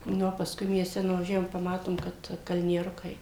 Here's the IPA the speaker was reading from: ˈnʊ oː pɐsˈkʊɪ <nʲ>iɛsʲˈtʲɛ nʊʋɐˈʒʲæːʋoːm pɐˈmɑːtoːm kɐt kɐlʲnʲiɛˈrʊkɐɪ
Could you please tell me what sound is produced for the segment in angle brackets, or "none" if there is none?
mʲ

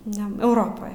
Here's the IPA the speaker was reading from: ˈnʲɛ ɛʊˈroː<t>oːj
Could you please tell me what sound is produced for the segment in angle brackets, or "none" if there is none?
p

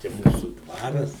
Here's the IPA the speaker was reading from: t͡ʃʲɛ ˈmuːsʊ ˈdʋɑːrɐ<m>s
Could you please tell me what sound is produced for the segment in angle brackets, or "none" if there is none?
none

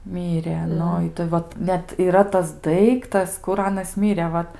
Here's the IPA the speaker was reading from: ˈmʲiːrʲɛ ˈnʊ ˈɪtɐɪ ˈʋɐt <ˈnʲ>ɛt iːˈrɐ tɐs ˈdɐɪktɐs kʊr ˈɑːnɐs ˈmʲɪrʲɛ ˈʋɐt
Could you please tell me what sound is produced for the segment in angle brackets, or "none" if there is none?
nʲ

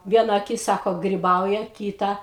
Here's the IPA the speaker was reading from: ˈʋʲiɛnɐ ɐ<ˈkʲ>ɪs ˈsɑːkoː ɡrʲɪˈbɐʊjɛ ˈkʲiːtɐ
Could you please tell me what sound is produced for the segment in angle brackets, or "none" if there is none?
kʲ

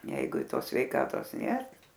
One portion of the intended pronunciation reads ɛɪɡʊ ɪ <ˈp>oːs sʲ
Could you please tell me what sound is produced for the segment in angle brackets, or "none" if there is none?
t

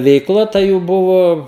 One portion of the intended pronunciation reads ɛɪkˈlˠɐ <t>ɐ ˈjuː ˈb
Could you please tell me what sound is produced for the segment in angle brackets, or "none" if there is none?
t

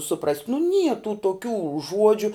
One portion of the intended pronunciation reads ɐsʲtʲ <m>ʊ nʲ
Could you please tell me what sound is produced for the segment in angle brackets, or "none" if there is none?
n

